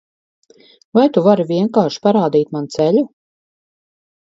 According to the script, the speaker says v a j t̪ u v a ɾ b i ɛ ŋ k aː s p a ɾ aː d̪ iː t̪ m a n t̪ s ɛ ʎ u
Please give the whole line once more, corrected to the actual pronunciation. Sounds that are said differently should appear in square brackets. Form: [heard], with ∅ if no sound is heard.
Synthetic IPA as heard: v a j t̪ u v a ɾ [v] i ɛ ŋ k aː [ʃ] p a ɾ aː d̪ iː t̪ m a n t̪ s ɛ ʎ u